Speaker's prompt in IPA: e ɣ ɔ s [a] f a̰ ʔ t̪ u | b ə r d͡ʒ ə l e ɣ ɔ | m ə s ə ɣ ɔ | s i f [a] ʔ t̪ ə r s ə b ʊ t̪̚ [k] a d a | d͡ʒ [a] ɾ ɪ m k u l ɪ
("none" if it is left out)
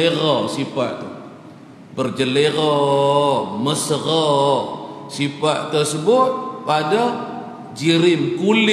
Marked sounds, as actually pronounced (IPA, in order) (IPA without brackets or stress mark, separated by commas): i, a, p, i